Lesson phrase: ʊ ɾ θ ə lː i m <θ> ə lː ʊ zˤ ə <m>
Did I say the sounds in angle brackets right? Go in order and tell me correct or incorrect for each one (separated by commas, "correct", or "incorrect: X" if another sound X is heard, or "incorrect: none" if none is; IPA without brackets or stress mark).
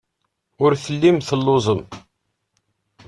correct, correct